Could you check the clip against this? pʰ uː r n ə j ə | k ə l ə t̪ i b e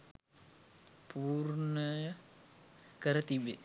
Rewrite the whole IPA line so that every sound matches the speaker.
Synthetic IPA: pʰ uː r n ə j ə | k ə ɾ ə t̪ i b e